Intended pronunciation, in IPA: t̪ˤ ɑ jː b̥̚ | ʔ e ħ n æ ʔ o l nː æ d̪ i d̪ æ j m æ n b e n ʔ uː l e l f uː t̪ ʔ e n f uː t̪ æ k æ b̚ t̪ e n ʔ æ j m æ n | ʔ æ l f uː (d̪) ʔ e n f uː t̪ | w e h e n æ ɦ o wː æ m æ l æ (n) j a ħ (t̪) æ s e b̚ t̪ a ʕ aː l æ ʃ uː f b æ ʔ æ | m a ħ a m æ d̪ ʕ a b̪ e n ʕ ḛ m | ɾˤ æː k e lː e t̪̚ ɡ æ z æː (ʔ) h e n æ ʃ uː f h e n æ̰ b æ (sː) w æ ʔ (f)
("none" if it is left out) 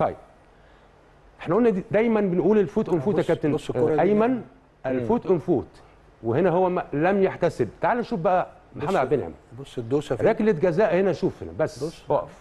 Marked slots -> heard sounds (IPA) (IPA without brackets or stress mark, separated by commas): t̪, m, t̪, ʔ, sː, f